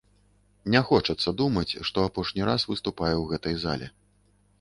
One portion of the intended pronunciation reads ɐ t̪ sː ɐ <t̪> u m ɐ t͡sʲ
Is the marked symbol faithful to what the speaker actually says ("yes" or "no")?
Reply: no